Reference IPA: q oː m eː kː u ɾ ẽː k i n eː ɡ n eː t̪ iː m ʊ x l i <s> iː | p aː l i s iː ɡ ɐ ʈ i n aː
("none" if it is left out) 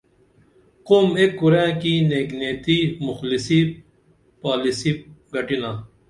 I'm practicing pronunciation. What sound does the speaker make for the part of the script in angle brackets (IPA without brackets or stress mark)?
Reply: s